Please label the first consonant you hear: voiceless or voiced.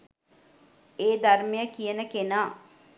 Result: voiced